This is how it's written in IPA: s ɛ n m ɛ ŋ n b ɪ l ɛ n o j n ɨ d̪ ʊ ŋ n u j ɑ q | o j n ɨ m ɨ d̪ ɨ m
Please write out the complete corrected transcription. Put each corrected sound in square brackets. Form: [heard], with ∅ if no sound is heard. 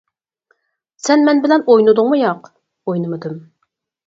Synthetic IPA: s ɛ n m ɛ [∅] n b ɪ l ɛ n o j n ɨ d̪ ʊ ŋ [m] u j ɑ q | o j n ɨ m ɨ d̪ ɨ m